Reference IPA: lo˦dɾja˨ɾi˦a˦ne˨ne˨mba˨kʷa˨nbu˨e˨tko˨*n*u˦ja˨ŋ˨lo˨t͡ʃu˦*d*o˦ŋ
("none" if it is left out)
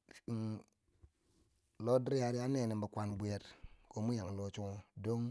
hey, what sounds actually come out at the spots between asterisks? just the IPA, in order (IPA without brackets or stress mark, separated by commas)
m, d